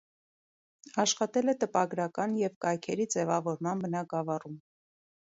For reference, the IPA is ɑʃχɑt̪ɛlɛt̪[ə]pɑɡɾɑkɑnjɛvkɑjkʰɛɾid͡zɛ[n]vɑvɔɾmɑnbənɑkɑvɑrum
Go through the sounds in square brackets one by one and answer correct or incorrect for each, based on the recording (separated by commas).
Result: correct, incorrect